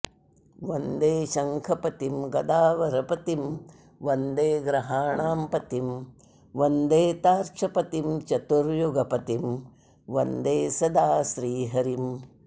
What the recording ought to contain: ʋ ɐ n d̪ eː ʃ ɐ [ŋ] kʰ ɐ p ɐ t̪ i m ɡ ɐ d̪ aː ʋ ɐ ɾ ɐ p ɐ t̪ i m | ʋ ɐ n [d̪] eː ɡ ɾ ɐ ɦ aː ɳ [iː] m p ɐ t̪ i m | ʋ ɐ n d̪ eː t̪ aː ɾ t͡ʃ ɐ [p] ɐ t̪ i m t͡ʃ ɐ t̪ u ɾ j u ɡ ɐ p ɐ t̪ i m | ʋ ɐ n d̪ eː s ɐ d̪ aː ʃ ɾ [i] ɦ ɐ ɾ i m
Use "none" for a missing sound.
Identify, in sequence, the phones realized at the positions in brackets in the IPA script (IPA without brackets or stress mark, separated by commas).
ŋ, d̪, aː, p, iː